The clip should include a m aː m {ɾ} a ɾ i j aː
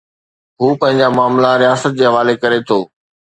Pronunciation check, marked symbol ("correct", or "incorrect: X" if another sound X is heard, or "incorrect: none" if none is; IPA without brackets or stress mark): incorrect: l